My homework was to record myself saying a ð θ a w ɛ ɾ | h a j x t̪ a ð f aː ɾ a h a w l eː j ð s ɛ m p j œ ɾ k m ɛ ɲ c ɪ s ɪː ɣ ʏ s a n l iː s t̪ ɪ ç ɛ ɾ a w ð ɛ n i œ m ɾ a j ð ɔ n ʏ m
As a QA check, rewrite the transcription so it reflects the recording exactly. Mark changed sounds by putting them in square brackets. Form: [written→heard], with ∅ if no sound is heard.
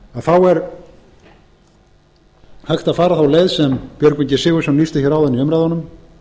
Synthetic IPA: a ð θ a w ɛ ɾ | h a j x t̪ a ð f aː ɾ a [h→θ] a w l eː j ð s ɛ m p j œ ɾ k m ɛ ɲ c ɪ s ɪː ɣ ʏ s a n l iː s t̪ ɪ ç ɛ ɾ a w ð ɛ n i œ m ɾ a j ð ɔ n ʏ m